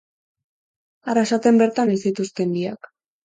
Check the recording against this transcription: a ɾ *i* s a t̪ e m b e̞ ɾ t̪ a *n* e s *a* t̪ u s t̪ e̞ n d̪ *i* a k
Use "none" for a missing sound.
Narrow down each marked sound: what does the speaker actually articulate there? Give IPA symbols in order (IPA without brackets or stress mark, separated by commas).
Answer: a, n, i, i